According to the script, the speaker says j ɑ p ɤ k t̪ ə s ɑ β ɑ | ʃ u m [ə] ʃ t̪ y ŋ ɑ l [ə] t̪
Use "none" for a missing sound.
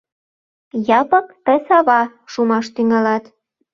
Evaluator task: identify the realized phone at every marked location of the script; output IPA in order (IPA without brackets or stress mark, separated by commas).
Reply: ɑ, ɑ